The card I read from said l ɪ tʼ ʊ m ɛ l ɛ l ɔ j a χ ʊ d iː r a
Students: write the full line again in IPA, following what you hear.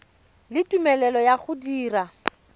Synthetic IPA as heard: l ɪ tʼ u m ɛ l ɛ l ɔ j a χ ʊ d iː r a

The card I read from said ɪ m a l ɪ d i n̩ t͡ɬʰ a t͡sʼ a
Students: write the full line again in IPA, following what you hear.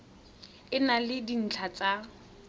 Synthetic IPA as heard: ɪ n a l ɪ d i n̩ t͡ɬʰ a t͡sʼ a

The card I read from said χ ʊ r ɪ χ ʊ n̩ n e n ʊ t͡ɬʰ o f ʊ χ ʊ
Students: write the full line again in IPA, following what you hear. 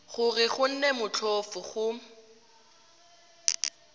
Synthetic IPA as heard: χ ʊ r ɪ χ ʊ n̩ n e m ʊ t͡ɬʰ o f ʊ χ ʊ

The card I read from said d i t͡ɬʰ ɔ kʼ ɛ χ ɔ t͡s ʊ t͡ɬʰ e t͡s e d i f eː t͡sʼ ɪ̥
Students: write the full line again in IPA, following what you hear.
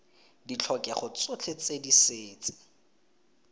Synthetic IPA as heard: d i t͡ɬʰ ɔ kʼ ɛ χ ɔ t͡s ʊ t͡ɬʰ e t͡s e d i s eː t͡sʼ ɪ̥

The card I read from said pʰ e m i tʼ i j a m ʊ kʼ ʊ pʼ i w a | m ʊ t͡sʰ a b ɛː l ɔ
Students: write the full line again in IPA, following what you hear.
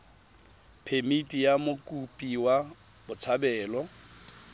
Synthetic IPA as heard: pʰ e m i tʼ i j a m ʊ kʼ u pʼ i w a | b ʊ t͡sʰ a b ɛː l ɔ

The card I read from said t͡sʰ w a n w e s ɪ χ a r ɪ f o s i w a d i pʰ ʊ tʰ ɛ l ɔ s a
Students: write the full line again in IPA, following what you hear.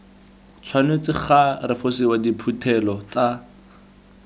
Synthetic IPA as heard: t͡sʰ w a n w e t͡s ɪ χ a r ɪ f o s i w a d i pʰ u tʰ ɛ l ɔ t͡s a

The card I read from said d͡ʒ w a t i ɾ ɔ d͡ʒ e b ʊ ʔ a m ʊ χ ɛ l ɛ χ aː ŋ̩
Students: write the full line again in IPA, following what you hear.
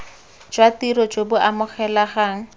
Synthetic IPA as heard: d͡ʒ w a t i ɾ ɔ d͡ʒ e b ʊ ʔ a m ʊ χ ɛ l a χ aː ŋ̩

